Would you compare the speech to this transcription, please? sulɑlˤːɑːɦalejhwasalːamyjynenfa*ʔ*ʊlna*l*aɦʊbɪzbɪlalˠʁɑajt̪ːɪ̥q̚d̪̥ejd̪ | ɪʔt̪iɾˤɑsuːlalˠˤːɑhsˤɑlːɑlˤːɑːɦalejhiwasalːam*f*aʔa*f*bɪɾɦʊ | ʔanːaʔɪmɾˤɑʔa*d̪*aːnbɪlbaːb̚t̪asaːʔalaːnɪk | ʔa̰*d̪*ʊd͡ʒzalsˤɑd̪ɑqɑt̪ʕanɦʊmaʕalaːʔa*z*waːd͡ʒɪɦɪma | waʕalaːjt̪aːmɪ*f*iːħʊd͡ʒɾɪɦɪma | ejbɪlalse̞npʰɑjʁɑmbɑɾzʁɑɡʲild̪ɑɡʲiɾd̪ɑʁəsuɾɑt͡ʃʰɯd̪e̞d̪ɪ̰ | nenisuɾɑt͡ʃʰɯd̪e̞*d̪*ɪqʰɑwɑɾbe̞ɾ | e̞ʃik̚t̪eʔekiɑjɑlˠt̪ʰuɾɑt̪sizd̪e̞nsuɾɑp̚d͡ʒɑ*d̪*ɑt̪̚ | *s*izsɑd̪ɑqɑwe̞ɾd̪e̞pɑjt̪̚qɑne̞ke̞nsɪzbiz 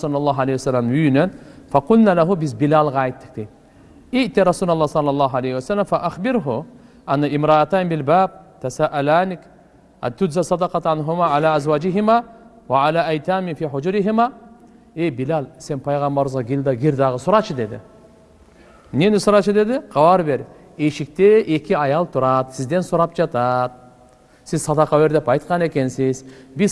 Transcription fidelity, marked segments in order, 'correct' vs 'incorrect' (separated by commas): incorrect, correct, correct, incorrect, incorrect, incorrect, correct, correct, correct, incorrect, correct